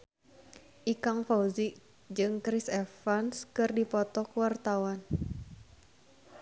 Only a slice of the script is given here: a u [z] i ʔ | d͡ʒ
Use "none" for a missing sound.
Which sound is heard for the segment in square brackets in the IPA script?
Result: z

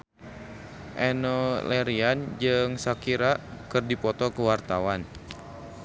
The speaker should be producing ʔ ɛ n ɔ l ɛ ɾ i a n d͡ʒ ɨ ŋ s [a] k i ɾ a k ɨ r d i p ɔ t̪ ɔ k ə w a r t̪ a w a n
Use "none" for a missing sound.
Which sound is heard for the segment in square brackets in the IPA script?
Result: a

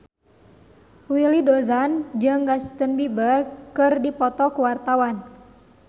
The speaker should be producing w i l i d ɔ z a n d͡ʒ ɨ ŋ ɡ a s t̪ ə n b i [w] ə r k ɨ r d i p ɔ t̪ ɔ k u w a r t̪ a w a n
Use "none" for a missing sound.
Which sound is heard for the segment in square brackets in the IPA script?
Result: b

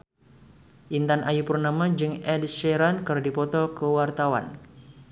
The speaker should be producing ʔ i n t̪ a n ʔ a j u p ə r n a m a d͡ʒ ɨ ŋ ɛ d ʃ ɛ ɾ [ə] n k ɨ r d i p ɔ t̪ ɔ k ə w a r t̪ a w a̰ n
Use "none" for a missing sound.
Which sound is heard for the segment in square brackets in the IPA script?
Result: a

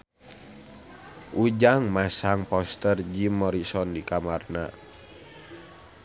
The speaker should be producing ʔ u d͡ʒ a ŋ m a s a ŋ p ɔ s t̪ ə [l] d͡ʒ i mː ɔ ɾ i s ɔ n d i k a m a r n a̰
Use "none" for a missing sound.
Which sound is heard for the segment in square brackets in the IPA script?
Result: r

